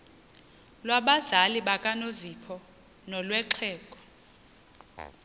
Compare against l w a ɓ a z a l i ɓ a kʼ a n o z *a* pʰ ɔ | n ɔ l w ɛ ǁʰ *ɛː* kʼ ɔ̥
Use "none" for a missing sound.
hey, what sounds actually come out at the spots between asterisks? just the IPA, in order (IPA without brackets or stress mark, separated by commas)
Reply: i, ɛː